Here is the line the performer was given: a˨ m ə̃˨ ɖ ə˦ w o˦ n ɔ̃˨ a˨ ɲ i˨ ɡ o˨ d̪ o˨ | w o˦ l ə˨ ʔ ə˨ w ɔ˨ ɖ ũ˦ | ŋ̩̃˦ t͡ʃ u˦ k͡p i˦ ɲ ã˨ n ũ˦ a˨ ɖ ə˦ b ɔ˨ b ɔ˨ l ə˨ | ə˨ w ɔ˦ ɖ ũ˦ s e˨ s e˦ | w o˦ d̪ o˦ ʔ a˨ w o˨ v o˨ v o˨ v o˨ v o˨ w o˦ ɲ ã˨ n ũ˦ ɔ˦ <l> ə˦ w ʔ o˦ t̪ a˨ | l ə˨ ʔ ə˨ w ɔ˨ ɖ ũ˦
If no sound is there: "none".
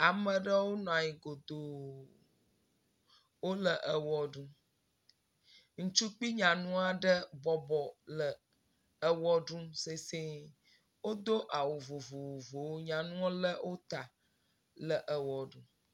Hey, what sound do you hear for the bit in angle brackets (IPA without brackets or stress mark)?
l